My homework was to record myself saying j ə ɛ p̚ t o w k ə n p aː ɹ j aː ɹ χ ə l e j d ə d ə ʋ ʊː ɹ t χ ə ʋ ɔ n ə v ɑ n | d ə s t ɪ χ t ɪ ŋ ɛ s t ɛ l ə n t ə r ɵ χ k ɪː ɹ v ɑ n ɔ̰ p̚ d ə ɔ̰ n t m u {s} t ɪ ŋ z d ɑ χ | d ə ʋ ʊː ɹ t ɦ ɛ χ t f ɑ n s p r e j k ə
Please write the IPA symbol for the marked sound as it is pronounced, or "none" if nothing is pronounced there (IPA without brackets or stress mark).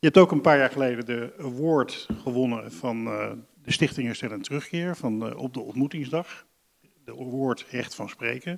none